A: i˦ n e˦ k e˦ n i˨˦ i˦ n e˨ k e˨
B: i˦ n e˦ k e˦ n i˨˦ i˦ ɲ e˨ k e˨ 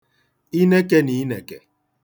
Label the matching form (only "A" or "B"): A